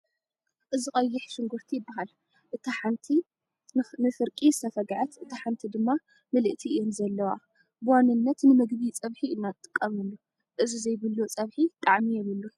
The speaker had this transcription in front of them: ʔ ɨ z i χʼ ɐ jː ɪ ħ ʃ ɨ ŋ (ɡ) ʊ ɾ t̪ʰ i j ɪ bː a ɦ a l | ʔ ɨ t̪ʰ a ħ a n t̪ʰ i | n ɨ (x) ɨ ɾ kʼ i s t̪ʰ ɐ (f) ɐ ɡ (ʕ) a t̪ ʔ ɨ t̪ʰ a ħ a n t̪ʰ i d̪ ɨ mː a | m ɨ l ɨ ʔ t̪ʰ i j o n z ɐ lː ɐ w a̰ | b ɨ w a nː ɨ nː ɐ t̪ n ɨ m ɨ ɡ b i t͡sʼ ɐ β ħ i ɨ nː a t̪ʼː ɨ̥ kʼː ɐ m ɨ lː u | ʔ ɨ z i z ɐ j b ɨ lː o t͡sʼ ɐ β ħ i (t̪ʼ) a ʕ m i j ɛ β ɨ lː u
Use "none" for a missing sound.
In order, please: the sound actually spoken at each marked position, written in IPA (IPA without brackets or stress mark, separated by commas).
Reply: ɡ, f, f, ʕ, t̪ʼ